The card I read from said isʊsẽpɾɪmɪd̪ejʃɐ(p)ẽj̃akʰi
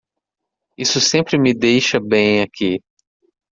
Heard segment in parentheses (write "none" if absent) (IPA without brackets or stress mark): b